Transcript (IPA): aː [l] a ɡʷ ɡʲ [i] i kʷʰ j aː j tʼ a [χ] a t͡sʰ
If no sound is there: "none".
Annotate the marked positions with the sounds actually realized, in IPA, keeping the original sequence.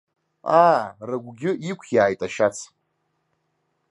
r, ɪ, ʃ

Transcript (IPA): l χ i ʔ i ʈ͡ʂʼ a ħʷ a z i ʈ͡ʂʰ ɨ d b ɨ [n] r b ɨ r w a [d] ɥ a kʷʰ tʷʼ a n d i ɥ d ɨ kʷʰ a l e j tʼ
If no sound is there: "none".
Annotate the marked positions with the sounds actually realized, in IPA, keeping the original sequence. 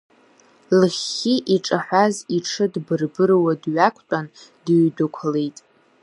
none, d

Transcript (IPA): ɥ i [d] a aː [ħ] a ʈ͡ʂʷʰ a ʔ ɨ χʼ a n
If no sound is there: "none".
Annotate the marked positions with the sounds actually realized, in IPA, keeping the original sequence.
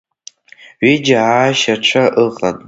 d͡ʒ, ʃ

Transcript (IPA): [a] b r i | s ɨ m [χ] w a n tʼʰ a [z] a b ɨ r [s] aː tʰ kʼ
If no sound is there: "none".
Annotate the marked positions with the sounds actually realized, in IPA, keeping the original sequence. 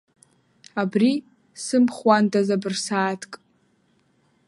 a, χ, z, s

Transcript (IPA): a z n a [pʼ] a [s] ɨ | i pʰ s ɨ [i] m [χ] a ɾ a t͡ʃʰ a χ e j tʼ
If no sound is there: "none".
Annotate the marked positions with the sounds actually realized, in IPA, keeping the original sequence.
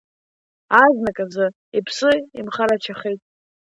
kʼ, z, i, χ

